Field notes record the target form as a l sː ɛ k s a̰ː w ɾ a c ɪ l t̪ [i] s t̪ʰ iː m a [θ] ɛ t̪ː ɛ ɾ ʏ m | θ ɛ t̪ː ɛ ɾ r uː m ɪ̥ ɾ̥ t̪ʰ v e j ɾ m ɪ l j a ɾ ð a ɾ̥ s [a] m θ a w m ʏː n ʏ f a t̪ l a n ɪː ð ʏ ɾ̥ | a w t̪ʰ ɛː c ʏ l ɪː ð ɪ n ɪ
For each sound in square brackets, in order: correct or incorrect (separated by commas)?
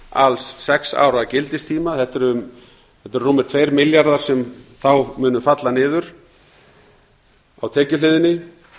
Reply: incorrect, correct, incorrect